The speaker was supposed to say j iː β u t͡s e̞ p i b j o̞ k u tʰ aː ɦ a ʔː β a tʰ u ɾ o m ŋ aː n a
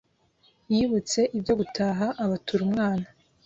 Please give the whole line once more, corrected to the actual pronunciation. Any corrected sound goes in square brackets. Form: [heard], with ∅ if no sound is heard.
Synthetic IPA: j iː β u t͡s e̞ [ʔ] i b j o̞ [ɡ] u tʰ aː ɦ a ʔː β a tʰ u ɾ [u] m ŋ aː n a